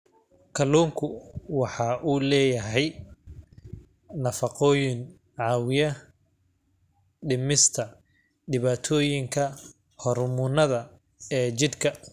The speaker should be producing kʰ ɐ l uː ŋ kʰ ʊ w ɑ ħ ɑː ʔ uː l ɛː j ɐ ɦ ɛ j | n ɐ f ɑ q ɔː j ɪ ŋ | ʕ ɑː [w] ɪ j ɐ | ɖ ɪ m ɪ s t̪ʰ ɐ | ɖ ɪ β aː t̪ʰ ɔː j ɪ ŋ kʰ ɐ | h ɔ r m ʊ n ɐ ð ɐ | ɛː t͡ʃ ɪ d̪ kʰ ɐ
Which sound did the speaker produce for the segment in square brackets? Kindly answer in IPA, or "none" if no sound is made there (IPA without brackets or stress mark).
w